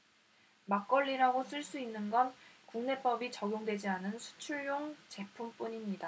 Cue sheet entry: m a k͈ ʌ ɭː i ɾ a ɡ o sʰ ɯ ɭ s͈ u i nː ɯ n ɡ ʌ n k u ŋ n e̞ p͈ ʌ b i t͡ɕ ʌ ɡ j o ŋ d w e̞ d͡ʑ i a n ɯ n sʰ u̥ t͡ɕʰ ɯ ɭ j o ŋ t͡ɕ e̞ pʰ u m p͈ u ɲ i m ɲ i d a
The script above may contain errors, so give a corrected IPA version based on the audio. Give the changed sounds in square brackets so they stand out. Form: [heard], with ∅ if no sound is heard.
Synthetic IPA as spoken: m a k͈ ʌ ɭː i ɾ a ɡ o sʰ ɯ ɭ s͈ u i nː ɯ n ɡ ʌ n k u ŋ n e̞ p͈ ʌ b i t͡ɕ ʌ ɡ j o ŋ d w e̞ d͡ʑ i a n ɯ n sʰ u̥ t͡ɕʰ [u] ɭ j o ŋ t͡ɕ e̞ pʰ u m p͈ u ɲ i m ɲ i d a